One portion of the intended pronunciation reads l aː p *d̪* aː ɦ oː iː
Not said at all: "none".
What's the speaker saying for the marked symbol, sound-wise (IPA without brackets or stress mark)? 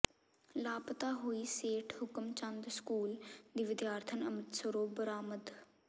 t̪